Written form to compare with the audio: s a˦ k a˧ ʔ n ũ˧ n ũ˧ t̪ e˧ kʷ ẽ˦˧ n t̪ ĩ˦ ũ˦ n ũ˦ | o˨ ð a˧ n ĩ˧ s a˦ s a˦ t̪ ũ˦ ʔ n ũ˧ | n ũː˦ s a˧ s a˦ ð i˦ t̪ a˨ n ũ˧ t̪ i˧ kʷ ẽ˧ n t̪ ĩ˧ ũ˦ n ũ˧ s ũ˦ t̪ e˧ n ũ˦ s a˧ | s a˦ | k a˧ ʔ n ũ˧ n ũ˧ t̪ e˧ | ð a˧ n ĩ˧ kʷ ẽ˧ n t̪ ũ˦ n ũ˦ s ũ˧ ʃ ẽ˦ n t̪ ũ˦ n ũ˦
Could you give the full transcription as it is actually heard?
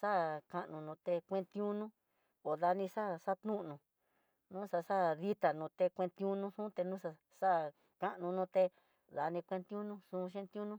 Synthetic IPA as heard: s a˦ k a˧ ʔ n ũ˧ n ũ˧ t̪ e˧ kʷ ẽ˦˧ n t̪ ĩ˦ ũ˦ n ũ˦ | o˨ ð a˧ n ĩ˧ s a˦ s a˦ t̪ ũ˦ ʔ n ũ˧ | n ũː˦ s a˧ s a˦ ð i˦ t̪ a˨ n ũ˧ t̪ e˧ kʷ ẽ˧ n t̪ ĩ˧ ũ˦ n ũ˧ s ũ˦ t̪ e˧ n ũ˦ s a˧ | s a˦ | k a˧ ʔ n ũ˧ n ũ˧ t̪ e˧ | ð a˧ n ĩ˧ kʷ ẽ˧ n t̪ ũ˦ n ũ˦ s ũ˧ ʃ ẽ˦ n t̪ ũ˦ n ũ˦